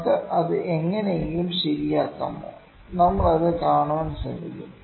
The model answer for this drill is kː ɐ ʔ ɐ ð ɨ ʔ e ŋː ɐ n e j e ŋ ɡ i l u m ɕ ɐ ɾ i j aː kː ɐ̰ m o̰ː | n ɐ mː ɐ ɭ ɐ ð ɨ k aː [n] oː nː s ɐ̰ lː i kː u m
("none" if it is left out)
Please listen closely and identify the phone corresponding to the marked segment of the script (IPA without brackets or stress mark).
ɳ